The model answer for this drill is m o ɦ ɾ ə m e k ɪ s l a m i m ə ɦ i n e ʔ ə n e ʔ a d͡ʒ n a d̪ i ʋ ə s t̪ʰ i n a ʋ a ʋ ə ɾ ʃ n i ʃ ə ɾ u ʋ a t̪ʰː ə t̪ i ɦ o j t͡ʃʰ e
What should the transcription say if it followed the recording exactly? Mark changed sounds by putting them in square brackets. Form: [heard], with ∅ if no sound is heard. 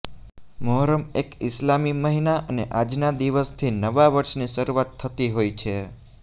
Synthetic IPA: m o ɦ ɾ ə m e k ɪ s l a m i m ə ɦ i n [a] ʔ ə n e ʔ a d͡ʒ n a d̪ i ʋ ə s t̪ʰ i n [ə] ʋ a ʋ ə ɾ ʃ n i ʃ ə ɾ u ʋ a t̪ʰː ə t̪ i ɦ o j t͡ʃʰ e